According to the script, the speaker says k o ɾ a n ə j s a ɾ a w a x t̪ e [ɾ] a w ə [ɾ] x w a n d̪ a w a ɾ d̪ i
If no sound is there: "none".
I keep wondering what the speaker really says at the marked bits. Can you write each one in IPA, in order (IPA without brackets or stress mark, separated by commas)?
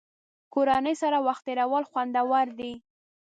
ɾ, l